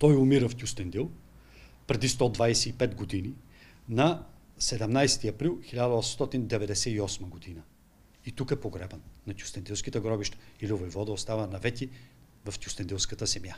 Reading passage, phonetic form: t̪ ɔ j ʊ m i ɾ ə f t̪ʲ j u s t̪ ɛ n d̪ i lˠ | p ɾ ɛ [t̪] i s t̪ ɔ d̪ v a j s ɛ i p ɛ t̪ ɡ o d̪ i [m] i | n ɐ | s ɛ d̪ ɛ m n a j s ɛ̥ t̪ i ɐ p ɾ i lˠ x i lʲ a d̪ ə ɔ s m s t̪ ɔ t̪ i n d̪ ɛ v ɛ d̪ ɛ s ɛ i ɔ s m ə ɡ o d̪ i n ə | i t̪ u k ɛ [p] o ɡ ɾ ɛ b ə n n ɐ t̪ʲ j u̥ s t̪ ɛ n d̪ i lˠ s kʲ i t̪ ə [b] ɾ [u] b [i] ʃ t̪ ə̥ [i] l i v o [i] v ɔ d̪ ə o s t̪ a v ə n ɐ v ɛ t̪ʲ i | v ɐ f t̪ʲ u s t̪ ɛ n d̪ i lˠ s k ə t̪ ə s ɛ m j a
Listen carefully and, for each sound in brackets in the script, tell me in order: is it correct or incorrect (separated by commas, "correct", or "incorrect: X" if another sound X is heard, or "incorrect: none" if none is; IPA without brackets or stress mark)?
incorrect: d̪, incorrect: n, correct, incorrect: ɡ, incorrect: ɔ, correct, correct, incorrect: j